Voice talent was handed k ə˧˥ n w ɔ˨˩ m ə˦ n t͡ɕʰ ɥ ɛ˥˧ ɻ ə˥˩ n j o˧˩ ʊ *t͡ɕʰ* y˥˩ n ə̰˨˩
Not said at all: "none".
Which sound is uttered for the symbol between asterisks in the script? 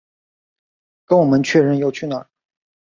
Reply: t͡ɕʰ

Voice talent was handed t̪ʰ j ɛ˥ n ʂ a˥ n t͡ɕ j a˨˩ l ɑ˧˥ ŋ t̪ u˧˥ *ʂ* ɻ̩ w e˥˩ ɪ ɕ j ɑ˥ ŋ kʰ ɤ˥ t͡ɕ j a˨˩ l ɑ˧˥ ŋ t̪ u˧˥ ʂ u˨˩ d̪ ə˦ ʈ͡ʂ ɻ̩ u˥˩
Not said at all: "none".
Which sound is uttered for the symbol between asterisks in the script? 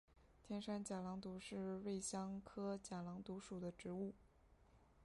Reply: ʂ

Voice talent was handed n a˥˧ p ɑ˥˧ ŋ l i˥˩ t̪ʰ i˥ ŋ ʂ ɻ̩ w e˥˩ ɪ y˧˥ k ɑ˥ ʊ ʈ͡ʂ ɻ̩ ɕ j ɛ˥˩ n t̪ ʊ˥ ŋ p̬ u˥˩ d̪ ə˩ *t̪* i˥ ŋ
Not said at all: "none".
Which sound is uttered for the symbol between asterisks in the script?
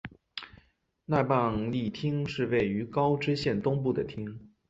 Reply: t̪ʰ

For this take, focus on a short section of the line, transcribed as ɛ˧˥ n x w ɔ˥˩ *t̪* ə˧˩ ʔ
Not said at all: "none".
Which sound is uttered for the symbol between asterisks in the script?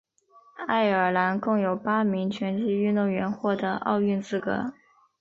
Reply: d̪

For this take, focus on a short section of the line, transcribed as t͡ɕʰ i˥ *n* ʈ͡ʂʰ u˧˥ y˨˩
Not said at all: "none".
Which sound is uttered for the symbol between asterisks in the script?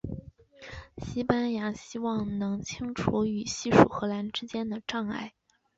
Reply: ŋ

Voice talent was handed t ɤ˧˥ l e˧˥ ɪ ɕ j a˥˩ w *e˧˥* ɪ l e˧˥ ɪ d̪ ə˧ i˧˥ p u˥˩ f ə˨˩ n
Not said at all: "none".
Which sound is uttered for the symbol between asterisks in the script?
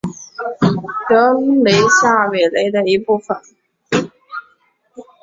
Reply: e˨˩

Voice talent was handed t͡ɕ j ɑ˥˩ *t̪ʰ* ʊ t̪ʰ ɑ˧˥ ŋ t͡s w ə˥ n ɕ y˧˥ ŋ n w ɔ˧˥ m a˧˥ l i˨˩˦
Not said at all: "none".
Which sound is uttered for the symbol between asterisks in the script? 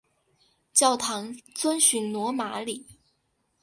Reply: none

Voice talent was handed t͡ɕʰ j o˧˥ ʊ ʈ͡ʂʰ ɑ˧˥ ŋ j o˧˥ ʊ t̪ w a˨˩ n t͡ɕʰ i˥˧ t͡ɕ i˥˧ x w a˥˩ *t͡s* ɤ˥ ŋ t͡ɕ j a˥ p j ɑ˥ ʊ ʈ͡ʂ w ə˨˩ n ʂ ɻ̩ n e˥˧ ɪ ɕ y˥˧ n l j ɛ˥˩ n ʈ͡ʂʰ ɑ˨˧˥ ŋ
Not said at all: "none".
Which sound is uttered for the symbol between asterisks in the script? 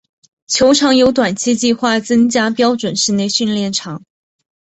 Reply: t͡s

